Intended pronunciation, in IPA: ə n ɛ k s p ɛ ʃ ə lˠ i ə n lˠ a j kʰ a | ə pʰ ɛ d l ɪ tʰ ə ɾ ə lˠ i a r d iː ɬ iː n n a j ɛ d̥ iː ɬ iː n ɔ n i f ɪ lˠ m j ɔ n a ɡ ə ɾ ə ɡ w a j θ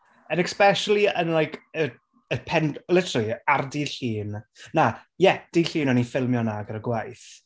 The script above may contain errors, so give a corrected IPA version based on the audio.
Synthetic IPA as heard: ə n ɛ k s p ɛ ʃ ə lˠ i ə n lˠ a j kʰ ə | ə pʰ ɛ n l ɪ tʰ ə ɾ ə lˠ i a r d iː ɬ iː n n a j ɛ d̥ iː ɬ iː n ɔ n i f ɪ lˠ m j ɔ n a ɡ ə ɾ ə ɡ w a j θ